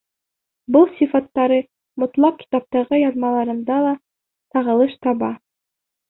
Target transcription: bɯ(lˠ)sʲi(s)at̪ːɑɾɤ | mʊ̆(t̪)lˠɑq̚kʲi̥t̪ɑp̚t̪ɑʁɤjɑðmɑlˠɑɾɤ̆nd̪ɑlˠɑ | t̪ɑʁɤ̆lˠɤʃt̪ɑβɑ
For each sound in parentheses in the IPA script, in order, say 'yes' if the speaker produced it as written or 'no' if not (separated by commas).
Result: yes, no, yes